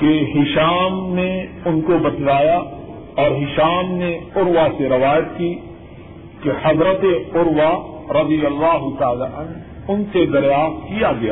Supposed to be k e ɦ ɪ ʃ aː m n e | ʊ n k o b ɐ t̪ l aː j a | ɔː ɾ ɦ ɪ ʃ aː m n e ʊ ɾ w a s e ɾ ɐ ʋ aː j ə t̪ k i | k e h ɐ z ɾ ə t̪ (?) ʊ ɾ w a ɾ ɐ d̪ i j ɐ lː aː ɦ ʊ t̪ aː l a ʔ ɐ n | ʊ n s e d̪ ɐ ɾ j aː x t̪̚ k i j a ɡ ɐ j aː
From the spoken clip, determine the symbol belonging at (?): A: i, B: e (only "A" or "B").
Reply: B